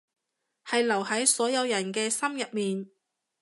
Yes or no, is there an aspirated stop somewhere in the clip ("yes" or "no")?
no